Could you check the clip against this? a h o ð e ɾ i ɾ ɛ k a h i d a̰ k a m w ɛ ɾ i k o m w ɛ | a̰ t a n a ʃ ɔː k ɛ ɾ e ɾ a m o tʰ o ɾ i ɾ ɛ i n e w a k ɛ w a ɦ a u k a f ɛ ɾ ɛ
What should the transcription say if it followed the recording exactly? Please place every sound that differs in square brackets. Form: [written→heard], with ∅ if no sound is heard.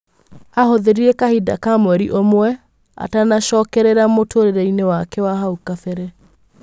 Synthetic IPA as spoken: a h o ð e ɾ i ɾ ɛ k a h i d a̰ k a m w ɛ ɾ i [k→ʔ] o m w ɛ | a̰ t a n a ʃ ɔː k ɛ ɾ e ɾ a m o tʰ o ɾ [i→e] ɾ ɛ i n e w a k ɛ w a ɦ a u k a f ɛ ɾ ɛ